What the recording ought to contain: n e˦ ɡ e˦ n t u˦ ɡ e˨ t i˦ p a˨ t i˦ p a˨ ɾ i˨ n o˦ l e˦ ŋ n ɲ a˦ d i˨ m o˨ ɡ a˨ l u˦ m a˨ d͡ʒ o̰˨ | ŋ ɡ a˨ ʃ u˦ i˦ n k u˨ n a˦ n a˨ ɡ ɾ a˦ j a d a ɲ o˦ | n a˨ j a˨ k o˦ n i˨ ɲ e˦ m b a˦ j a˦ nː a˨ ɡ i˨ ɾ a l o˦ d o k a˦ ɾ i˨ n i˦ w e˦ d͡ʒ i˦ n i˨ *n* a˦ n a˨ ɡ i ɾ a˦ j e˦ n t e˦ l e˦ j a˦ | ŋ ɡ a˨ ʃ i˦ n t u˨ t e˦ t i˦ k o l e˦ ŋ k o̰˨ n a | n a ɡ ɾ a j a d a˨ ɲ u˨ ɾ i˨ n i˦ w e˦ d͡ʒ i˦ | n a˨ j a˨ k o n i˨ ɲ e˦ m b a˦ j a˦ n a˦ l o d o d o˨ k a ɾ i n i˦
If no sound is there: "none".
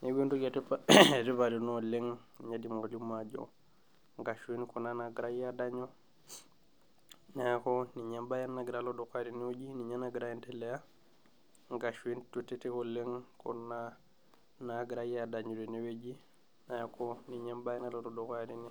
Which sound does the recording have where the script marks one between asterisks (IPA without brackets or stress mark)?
ɲ